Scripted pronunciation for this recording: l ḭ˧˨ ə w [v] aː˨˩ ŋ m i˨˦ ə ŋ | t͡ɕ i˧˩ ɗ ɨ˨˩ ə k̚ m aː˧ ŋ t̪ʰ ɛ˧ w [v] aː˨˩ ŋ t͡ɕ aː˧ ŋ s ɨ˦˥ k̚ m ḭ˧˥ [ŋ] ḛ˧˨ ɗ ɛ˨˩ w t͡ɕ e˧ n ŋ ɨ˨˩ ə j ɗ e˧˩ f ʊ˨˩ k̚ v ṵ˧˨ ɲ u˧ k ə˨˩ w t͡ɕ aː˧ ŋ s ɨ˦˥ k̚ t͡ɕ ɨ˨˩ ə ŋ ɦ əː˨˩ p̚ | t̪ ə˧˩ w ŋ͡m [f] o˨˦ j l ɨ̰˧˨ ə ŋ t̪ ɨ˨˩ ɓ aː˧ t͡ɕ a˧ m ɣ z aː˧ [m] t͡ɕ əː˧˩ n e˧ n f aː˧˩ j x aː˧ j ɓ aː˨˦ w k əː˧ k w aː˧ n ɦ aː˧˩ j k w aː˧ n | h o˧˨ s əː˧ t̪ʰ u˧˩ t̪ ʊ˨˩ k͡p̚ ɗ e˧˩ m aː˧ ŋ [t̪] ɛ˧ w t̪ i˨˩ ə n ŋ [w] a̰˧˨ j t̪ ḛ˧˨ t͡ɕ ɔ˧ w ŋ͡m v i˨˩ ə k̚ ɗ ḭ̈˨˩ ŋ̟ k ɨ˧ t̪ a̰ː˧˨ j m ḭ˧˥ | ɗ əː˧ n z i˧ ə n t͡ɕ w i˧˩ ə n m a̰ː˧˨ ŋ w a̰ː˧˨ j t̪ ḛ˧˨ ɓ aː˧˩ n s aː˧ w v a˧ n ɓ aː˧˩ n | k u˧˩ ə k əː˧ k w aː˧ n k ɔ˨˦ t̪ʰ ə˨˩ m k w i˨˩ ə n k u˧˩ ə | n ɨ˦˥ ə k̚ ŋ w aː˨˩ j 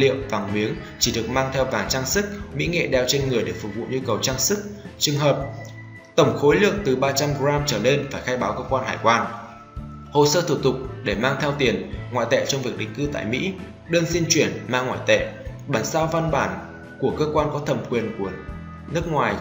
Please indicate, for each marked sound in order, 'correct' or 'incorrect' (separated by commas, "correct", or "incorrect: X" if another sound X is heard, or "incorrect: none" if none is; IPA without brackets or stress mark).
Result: correct, correct, correct, incorrect: x, correct, incorrect: t̪ʰ, correct